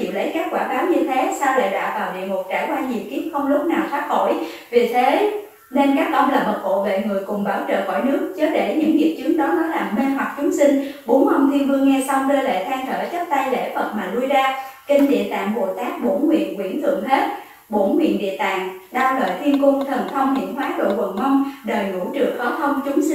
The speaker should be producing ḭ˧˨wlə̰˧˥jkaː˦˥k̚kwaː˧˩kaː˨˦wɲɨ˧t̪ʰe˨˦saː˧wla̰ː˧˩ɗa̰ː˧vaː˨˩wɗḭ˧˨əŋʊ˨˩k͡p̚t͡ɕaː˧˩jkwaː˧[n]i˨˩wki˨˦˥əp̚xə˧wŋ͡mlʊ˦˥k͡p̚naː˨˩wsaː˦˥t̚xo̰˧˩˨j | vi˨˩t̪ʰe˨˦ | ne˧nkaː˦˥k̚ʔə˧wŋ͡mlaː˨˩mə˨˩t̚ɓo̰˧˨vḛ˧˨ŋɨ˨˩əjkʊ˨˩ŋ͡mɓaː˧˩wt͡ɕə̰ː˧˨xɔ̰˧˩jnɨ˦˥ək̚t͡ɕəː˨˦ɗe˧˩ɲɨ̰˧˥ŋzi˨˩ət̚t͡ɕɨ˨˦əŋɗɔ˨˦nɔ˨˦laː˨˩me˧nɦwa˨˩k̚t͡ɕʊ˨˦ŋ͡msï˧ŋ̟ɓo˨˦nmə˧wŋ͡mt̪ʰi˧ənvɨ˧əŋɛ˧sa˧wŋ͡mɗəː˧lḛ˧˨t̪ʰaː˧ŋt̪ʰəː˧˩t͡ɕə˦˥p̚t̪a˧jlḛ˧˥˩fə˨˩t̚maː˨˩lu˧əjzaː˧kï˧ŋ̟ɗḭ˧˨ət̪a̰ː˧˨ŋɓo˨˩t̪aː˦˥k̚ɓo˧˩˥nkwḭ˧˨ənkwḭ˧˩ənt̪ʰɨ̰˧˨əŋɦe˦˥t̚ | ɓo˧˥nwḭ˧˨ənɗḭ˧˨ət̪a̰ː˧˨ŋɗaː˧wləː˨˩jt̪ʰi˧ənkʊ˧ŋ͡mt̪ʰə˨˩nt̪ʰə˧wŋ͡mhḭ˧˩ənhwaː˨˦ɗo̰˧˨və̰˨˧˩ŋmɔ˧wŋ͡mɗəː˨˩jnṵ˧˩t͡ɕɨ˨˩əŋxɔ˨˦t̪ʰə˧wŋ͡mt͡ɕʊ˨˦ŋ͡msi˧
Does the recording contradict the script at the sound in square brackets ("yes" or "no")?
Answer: yes